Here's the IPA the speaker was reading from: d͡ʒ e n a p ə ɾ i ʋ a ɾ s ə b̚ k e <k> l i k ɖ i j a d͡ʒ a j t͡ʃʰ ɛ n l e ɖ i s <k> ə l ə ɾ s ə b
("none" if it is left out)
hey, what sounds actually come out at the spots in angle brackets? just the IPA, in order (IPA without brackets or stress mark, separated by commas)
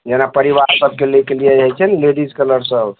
none, k